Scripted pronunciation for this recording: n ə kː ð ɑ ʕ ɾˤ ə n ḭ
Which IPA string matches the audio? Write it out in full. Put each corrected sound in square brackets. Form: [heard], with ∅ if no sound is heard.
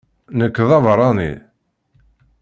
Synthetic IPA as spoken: n ə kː ð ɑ [v] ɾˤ [ɑ] n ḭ